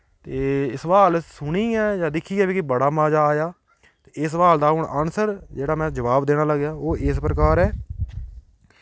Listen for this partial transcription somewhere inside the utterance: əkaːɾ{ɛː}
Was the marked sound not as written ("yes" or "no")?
no